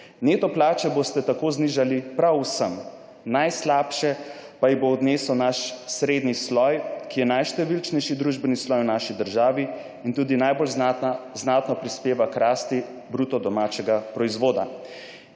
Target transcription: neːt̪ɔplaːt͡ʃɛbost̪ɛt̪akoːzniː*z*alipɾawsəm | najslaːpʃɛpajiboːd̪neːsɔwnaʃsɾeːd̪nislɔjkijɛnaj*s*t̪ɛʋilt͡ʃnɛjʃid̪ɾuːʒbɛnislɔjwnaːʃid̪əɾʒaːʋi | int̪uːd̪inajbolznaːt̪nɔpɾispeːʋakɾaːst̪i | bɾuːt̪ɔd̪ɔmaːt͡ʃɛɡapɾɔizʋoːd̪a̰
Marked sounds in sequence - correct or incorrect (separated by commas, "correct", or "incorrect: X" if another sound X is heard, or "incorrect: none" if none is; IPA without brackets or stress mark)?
incorrect: ʒ, incorrect: ʃ